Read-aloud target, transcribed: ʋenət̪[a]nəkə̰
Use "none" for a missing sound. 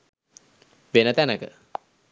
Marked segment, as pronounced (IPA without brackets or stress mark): æ